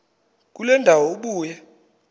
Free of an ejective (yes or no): yes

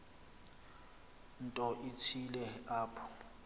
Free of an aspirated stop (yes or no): no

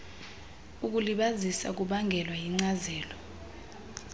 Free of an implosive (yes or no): no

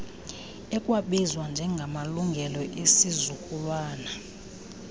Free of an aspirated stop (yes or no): yes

